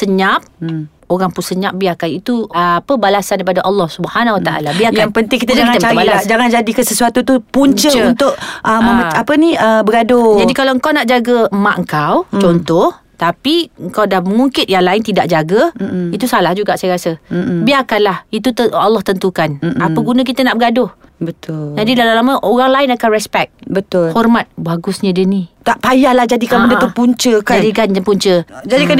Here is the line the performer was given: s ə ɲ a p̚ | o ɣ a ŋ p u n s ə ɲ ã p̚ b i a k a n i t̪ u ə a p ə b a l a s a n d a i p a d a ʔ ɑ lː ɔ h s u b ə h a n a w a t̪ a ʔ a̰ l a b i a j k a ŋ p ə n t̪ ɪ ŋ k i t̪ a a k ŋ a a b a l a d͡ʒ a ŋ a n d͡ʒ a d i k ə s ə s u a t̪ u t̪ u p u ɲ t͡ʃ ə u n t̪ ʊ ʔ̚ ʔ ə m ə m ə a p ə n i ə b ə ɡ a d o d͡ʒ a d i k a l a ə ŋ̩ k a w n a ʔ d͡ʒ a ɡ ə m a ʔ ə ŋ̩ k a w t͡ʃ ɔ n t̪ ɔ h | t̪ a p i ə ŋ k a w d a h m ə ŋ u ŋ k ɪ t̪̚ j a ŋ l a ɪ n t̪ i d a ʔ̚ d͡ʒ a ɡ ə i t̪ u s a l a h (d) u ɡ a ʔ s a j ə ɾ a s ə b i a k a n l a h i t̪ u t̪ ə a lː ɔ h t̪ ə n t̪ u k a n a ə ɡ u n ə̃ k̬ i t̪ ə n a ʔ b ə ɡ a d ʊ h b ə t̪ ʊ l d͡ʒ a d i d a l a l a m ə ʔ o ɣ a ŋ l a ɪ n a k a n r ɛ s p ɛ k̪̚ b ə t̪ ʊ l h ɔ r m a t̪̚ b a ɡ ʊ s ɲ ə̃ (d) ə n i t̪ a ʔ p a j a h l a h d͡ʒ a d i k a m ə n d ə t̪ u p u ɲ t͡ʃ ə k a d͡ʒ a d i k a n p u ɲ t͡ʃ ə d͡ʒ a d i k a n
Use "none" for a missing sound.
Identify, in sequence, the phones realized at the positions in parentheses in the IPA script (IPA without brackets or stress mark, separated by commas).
d͡ʒ, d